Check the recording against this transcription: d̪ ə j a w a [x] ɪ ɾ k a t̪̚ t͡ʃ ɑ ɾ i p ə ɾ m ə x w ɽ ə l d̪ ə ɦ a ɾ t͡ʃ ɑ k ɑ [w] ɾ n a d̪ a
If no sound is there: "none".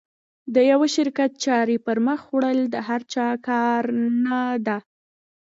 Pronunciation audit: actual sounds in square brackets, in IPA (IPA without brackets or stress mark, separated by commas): ʃ, none